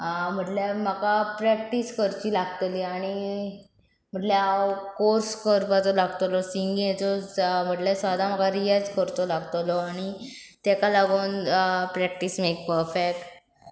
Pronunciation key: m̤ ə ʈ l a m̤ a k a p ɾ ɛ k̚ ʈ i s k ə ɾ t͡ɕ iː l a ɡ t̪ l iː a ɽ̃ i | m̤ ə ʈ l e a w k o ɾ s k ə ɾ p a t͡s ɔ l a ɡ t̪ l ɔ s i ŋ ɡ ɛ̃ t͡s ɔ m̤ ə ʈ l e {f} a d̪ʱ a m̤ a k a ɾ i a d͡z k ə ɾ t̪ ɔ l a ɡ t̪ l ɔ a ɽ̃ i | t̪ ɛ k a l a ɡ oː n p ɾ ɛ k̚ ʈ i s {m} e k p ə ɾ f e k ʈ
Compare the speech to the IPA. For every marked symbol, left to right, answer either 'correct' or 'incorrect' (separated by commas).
incorrect, correct